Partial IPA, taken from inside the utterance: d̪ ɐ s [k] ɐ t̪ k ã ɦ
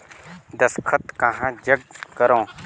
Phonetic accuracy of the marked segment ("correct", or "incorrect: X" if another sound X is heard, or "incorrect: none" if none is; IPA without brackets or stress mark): incorrect: kʰ